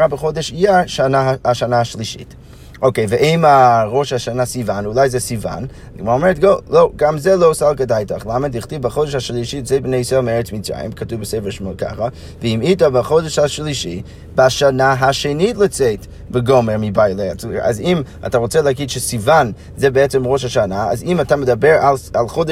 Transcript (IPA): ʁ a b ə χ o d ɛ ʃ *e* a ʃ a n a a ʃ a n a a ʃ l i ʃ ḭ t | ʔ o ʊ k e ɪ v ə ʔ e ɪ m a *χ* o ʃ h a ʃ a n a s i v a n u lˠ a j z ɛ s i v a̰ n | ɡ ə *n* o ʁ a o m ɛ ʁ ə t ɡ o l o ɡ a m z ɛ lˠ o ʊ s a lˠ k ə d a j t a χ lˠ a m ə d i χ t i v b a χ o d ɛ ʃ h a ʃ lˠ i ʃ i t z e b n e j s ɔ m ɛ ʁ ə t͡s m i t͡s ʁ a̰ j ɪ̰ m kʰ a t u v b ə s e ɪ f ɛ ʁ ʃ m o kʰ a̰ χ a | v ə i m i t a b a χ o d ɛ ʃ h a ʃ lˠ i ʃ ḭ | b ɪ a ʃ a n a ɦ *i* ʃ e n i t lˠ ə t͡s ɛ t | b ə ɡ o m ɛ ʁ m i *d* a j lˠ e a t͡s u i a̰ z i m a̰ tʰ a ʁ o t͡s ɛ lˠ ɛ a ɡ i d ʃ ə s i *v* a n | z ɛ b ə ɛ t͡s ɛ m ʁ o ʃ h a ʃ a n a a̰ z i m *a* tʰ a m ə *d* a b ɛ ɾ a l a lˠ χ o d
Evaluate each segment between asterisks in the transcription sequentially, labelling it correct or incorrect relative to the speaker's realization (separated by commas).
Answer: incorrect, incorrect, incorrect, incorrect, incorrect, correct, correct, correct